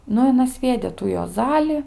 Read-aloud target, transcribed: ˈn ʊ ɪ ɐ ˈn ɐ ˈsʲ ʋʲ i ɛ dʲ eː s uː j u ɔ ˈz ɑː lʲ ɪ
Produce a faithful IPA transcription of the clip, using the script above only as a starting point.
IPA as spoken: ˈn ʊ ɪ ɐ ˈn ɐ ˈsʲ ʋʲ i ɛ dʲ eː t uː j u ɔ ˈz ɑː lʲ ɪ